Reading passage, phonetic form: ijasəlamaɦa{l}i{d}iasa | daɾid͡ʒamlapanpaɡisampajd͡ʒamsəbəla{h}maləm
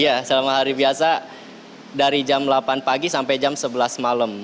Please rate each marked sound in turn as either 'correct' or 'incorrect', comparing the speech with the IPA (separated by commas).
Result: incorrect, incorrect, incorrect